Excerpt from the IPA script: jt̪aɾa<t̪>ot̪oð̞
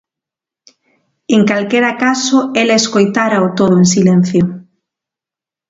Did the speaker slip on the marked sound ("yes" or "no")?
yes